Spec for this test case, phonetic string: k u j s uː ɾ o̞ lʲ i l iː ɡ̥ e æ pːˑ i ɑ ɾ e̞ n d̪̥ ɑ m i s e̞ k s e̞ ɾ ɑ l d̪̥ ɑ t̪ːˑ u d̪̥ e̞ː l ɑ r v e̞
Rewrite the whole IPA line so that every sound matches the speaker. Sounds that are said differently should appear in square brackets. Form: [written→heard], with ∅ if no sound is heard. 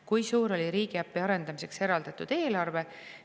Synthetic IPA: k u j s uː ɾ o̞ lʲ i [l→ɾ] iː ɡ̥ [e→i] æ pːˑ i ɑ ɾ e̞ n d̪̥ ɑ m i s e̞ k s e̞ ɾ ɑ l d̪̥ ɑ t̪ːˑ u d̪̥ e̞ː l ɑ r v e̞